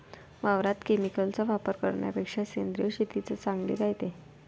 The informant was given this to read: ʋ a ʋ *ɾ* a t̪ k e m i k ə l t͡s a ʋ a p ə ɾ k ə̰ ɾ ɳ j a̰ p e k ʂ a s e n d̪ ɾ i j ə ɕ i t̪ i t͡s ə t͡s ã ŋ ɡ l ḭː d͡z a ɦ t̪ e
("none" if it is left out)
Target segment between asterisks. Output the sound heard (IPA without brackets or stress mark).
ɾ